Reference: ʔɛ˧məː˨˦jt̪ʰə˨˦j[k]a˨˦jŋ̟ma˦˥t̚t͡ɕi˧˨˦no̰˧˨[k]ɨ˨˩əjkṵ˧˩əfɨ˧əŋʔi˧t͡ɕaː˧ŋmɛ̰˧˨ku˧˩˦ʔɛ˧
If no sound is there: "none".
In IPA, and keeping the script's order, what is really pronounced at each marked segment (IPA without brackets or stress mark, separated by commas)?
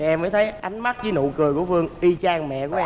ʔ, k